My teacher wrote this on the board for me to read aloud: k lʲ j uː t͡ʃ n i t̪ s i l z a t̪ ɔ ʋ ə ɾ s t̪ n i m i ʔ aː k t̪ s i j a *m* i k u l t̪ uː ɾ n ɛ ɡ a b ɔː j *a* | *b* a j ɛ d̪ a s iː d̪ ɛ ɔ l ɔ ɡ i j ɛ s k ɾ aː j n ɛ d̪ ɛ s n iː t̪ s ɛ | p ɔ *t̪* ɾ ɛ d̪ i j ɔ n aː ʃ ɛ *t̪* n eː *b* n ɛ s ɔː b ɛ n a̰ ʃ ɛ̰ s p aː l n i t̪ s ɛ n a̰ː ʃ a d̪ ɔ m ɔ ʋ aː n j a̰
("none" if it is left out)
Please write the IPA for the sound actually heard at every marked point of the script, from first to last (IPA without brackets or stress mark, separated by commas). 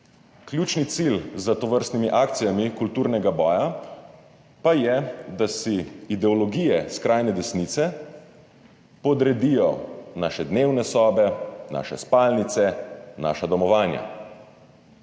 m, a, p, d̪, d̪, w